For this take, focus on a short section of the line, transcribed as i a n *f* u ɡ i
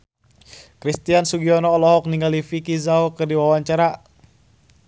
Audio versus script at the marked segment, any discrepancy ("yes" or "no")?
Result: yes